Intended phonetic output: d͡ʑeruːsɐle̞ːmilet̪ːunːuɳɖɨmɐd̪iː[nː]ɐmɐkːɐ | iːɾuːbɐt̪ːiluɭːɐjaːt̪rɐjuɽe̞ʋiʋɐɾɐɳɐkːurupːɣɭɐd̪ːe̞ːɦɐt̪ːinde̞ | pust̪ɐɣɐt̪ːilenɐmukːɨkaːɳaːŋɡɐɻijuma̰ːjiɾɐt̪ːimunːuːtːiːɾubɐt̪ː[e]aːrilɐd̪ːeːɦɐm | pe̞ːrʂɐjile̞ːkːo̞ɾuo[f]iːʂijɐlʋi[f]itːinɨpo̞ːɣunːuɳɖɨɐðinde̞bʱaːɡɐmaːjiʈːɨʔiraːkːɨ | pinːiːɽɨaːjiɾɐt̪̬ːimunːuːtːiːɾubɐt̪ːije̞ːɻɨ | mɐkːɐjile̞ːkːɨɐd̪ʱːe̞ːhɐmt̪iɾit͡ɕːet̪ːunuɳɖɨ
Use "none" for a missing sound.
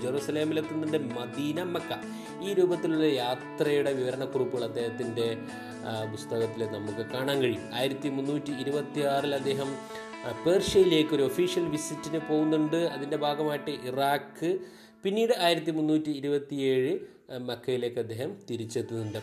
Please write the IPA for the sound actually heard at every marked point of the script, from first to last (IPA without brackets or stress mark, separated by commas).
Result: n, i, f, s